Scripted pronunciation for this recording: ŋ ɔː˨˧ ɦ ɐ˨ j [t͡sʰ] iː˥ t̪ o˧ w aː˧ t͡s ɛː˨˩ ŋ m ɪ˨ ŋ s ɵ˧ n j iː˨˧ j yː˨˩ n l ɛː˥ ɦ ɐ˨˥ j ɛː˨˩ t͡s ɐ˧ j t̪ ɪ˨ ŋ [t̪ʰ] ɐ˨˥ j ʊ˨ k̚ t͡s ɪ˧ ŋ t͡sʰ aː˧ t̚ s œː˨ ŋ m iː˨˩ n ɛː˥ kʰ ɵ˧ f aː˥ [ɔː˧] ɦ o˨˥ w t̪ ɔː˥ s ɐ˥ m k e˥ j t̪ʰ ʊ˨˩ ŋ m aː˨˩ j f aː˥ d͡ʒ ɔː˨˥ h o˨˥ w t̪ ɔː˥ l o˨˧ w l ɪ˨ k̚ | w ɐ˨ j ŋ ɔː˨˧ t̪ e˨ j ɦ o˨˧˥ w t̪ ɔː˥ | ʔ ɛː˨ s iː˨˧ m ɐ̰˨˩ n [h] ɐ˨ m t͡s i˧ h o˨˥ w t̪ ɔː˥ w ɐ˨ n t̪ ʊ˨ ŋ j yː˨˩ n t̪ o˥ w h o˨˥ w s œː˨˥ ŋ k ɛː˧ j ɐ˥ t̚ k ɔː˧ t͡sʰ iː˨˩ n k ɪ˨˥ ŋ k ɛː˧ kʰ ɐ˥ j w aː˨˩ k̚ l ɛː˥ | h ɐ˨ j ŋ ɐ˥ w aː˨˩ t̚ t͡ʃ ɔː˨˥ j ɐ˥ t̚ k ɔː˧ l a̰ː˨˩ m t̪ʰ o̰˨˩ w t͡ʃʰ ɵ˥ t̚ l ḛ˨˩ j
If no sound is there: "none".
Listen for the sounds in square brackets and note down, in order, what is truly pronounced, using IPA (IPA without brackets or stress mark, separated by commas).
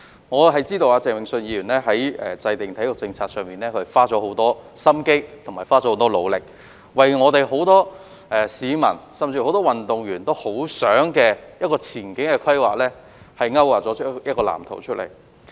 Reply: t͡s, t̪ʰ, ɔː˨˥, s